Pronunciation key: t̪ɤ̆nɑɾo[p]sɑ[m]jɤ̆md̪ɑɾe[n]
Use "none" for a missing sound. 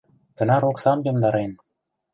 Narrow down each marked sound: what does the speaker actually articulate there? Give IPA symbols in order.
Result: k, m, n

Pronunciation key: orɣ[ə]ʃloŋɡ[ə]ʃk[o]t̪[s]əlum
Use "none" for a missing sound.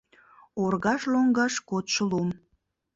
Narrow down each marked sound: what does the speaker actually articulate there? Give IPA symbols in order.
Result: ɑ, ɑ, o, ʃ

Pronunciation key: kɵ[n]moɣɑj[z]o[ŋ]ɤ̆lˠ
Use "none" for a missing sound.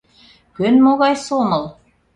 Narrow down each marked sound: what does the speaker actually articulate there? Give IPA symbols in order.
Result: n, s, m

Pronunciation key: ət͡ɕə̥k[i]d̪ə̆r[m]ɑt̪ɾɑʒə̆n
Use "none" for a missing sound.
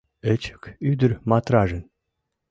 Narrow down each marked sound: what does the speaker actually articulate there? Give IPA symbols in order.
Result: y, m

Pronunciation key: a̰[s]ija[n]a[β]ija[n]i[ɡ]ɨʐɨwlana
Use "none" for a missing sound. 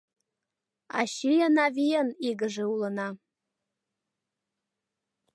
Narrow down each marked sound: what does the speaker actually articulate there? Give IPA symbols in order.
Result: ʃ, n, v, n, ɡ

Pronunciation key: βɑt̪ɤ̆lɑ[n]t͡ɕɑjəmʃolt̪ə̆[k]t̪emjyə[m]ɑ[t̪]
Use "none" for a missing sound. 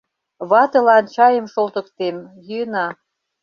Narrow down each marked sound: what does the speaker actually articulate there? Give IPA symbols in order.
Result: n, k, n, none

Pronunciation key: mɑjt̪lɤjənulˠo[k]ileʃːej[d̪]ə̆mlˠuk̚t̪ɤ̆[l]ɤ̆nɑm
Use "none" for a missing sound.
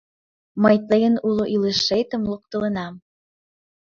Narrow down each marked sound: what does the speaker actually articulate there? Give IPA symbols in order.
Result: ʔ, t̪, l

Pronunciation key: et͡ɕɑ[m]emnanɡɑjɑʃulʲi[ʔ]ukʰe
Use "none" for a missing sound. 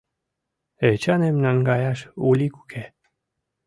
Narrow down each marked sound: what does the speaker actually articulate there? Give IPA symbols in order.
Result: n, k

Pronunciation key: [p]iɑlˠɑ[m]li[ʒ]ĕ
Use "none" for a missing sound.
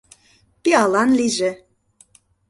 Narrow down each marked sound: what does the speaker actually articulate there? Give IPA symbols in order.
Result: p, n, ʒ

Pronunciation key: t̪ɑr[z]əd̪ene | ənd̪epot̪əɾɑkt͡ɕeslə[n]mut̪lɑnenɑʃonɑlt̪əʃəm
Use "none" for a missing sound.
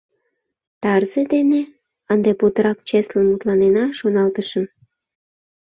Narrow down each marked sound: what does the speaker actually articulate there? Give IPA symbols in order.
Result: z, n

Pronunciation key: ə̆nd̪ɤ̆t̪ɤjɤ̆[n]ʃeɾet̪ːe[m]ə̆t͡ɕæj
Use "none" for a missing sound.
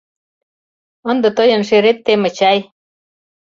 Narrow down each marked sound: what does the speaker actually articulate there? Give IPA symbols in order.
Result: n, m

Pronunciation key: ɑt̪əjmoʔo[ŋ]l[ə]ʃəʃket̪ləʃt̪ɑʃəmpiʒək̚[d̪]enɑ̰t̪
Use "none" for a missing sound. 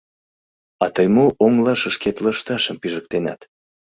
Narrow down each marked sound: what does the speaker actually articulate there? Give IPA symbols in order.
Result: ŋ, ɑ, t̪

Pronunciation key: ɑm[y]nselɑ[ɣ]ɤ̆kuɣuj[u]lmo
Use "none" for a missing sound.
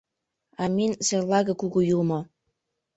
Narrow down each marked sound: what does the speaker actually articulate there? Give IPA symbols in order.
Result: i, ɣ, u

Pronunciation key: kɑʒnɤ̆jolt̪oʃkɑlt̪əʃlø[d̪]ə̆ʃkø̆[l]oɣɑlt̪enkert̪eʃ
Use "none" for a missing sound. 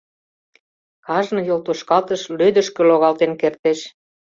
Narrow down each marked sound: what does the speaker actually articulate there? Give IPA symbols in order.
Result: d̪, l

